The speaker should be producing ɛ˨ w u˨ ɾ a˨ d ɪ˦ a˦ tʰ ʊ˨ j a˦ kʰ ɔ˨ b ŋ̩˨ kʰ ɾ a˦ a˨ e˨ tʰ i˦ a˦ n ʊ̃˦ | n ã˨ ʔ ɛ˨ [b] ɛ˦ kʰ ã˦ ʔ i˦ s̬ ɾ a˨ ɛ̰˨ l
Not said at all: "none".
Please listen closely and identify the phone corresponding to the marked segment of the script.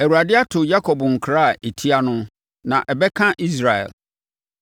b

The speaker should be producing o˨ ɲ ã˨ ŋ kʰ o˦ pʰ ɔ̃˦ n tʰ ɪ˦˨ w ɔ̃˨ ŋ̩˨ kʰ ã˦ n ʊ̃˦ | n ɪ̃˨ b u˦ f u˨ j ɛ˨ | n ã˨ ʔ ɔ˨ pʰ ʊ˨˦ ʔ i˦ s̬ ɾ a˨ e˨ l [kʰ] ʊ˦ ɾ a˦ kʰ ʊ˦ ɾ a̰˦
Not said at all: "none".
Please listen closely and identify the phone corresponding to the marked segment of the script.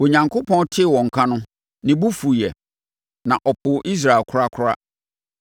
kʰ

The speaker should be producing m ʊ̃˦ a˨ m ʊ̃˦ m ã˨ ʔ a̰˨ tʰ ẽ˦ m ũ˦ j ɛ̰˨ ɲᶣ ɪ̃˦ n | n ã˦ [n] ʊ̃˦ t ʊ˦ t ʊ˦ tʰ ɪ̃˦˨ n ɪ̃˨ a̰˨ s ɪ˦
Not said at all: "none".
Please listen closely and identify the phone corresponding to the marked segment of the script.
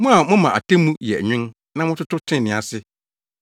m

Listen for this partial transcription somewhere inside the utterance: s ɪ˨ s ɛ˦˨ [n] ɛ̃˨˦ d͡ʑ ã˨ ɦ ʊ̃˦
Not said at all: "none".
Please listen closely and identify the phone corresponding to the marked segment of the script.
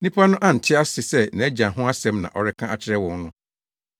n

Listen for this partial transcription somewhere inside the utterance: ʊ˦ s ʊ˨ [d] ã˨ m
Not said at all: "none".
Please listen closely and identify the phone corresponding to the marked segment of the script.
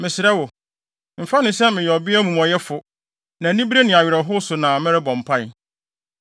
n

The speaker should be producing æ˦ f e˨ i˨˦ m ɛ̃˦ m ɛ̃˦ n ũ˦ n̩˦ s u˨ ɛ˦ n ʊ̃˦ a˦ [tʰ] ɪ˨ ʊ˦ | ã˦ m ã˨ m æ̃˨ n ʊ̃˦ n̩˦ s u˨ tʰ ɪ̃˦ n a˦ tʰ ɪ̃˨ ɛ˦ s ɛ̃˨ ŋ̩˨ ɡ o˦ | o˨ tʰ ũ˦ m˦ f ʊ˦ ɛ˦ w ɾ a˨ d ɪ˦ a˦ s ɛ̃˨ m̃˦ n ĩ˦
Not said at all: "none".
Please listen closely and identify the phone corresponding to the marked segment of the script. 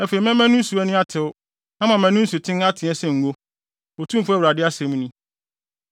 tʰ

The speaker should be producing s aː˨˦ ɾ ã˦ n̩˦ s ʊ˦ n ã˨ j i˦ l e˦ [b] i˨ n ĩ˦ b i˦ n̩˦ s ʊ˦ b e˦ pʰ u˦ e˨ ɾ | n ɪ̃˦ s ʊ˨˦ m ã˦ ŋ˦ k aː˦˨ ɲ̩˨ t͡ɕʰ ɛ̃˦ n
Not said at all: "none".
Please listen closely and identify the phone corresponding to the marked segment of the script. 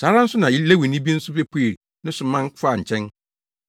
w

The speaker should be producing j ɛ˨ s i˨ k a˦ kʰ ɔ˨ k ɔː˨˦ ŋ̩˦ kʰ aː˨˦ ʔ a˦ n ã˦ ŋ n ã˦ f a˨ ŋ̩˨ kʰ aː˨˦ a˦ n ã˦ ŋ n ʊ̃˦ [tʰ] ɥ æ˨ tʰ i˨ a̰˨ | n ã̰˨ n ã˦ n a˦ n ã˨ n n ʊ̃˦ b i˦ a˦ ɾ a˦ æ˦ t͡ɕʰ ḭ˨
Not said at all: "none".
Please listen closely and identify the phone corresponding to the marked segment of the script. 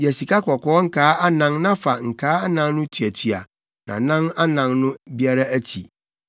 tʰ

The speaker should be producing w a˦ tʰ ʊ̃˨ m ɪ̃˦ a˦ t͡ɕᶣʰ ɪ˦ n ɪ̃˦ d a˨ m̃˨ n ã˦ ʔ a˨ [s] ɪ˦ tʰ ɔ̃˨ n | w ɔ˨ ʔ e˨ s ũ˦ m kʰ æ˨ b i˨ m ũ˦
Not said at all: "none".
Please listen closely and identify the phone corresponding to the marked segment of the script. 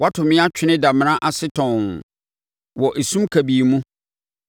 s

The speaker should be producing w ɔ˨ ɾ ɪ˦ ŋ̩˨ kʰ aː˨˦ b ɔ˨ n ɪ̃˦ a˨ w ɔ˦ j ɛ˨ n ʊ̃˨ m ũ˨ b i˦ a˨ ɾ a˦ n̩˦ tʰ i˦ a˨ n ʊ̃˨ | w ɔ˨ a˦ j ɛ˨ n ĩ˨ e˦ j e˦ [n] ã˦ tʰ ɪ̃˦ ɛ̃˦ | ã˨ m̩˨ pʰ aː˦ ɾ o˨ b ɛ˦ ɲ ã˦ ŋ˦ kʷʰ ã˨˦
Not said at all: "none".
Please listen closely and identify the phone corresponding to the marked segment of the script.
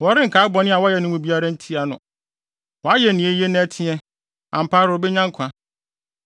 n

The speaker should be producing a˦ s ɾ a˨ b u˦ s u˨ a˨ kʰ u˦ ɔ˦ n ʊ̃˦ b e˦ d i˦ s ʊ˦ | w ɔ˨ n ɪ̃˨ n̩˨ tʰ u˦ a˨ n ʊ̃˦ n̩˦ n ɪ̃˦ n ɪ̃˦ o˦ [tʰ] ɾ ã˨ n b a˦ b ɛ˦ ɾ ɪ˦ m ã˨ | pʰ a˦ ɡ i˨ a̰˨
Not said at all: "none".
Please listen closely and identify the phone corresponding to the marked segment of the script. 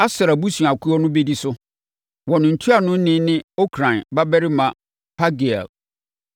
kʰ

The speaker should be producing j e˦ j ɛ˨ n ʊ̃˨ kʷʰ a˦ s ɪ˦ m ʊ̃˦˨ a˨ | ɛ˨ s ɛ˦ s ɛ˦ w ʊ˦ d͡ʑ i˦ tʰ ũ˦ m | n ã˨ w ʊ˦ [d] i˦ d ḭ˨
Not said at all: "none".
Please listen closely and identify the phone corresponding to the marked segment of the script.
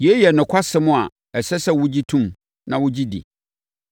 d͡ʑ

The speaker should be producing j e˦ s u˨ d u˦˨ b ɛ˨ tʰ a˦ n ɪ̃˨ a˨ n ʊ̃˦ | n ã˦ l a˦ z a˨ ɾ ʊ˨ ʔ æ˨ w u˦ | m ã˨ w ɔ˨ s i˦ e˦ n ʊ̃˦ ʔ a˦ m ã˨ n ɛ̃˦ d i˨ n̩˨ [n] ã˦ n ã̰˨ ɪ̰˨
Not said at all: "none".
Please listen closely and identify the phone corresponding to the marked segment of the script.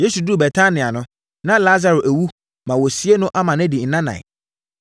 n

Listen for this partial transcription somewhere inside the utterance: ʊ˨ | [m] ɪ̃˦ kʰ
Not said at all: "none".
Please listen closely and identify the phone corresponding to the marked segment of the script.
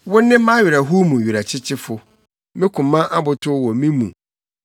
m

